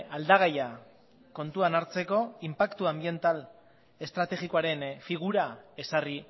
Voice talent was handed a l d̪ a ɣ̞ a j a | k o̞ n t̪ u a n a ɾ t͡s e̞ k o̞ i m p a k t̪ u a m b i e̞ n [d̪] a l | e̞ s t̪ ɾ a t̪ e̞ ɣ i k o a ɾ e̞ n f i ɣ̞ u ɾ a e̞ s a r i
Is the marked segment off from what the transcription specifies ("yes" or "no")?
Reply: yes